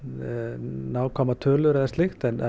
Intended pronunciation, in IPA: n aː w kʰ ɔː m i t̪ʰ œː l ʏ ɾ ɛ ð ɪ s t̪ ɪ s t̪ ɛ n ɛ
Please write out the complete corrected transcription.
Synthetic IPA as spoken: n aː w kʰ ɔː m a t̪ʰ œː l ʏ ɾ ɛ ð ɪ s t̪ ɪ x t̪ ɛ n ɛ